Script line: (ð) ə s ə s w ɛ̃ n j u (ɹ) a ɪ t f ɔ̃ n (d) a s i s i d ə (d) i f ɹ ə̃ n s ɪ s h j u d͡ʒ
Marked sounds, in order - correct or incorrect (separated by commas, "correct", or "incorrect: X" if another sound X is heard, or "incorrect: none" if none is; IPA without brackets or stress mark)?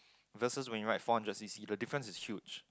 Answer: incorrect: v, correct, incorrect: d͡ʒ, correct